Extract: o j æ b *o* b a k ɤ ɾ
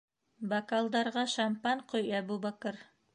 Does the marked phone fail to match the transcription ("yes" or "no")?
yes